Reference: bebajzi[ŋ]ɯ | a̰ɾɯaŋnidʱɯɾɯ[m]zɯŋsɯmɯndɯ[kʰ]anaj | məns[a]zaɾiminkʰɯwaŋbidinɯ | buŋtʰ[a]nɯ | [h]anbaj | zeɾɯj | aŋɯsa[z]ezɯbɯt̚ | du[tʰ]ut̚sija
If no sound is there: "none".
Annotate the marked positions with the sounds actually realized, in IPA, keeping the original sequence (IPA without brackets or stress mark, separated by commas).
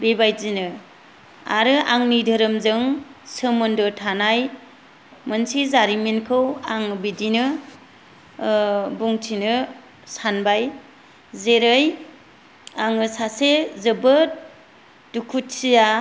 n, m, tʰ, i, i, s, s, kʰ